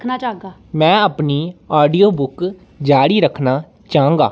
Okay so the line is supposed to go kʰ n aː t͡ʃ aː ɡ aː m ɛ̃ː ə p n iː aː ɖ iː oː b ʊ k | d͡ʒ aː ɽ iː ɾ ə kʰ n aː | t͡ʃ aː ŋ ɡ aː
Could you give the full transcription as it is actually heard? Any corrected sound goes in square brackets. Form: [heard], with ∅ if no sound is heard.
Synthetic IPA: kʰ n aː t͡ʃ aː ɡ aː m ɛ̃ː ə p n iː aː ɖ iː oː b ʊ k | d͡ʒ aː ɽ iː ɾ ə kʰ n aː | t͡ʃ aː ŋ ɡ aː